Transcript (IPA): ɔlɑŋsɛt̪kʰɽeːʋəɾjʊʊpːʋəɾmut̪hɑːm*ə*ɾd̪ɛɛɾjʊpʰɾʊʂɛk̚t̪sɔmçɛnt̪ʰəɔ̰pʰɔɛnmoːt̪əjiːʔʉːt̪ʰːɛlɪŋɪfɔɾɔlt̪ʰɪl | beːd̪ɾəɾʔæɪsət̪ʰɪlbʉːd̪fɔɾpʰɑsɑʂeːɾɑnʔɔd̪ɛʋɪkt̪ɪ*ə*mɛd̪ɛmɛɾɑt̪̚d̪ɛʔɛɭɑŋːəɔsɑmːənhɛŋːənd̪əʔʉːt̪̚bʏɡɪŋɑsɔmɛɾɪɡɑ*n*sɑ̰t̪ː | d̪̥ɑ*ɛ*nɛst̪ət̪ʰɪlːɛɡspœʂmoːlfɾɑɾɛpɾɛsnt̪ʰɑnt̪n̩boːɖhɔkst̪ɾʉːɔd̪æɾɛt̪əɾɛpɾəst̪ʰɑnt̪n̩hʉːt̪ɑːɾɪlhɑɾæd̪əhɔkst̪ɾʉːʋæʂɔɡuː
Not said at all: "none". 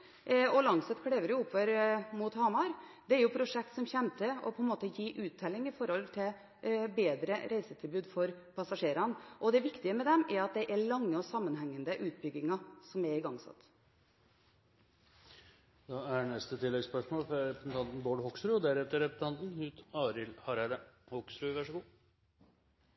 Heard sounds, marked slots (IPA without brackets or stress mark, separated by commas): ɑ, ə, ŋ, æ